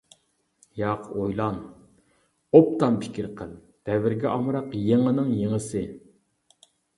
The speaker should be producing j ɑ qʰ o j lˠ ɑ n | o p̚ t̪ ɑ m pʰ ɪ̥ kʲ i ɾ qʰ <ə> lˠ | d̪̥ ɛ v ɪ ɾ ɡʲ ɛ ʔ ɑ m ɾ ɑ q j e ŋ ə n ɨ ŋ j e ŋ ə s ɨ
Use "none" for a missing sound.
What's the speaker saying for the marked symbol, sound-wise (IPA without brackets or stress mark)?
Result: ə